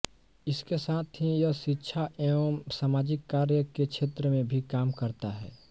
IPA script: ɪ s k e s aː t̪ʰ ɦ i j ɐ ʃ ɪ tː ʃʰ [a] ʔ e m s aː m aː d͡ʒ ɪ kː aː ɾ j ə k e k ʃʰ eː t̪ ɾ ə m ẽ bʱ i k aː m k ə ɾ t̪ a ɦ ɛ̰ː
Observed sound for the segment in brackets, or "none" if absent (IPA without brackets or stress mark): a